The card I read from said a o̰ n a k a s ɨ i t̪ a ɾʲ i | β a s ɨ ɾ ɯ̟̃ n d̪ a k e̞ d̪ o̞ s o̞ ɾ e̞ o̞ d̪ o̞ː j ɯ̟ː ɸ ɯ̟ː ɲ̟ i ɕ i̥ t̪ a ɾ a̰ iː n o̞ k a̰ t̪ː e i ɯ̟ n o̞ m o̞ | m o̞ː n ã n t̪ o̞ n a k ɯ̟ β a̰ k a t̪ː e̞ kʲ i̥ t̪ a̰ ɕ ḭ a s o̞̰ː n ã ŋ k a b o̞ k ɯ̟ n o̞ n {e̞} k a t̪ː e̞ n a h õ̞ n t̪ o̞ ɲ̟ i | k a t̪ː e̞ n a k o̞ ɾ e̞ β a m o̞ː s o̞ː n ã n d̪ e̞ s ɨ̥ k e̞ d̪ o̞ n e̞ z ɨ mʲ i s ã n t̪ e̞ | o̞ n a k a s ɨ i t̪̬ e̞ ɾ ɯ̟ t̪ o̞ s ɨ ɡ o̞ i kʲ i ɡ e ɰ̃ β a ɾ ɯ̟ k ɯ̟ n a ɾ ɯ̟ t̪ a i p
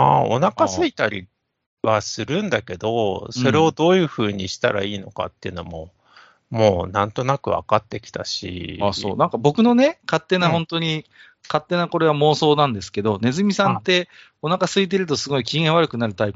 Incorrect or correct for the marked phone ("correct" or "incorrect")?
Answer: correct